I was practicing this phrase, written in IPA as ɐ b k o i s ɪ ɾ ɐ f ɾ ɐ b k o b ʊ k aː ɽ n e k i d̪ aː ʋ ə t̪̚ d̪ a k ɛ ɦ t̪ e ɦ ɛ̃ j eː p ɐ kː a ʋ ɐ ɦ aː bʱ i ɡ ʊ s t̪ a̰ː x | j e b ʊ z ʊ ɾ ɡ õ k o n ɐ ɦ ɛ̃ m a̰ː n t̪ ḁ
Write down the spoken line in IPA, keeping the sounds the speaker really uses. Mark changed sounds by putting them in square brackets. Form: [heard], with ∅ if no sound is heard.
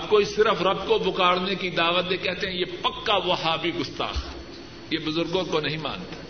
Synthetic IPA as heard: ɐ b k o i s ɪ ɾ [ə] f ɾ ɐ b k o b ʊ k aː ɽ n e k i d̪ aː ʋ ə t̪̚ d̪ [e] k ɛ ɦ t̪ e ɦ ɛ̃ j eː p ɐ kː a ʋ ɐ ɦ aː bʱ i ɡ ʊ s t̪ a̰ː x | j e b ʊ z ʊ ɾ ɡ õ k o n ɐ ɦ [ĩ] m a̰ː n t̪ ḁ